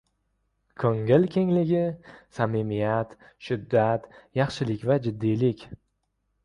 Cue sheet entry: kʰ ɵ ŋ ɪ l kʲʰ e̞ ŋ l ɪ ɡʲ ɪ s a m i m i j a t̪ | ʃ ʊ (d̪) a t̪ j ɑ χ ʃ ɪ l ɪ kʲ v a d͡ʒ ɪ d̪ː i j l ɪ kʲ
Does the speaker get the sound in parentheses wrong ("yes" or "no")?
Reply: yes